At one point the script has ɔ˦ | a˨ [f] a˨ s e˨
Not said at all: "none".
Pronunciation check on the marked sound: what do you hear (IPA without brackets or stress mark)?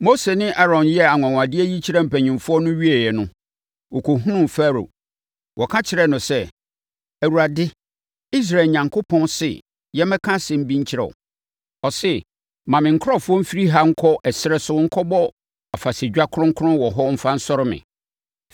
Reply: f